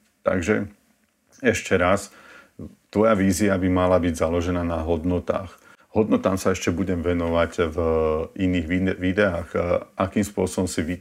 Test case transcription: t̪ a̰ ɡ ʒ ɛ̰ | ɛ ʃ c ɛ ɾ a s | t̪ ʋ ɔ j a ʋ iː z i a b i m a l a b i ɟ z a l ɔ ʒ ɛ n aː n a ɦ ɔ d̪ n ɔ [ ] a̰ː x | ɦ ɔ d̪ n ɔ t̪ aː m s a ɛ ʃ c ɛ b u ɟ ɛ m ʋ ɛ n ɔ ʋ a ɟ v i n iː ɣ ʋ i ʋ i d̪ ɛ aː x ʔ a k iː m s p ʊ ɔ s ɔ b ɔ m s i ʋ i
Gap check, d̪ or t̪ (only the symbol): t̪